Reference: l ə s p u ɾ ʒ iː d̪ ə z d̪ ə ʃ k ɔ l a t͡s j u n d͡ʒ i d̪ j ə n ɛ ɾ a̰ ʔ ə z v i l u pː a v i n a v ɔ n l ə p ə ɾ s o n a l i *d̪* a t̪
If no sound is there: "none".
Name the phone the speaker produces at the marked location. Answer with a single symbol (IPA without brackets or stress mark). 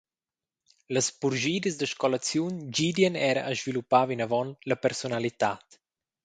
t̪